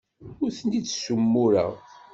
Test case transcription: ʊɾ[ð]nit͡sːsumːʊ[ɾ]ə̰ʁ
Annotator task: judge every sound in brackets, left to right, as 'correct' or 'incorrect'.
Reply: incorrect: θ, correct

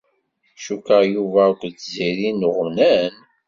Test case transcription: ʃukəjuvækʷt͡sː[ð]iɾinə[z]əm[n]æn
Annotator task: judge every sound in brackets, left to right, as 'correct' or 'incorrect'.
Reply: incorrect: z, incorrect: ʁ, correct

